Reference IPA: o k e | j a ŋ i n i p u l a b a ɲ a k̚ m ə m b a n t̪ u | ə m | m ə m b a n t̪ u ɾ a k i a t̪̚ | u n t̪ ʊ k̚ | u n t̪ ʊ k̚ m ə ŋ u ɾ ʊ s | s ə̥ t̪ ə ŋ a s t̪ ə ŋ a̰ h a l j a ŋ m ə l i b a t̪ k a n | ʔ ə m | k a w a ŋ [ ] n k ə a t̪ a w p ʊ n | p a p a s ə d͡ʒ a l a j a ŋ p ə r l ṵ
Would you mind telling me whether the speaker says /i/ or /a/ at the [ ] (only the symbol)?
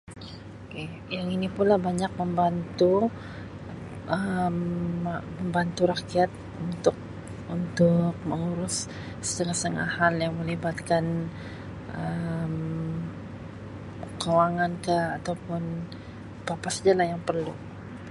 a